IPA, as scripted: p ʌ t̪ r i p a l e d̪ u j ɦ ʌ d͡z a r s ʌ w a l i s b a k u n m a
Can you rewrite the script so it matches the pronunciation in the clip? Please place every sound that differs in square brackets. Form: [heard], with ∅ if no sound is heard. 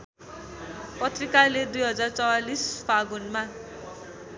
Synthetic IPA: p ʌ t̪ r i [k] a l e d̪ u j ɦ ʌ d͡z a r [t͡s] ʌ w a l i s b a [ɡ] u n m a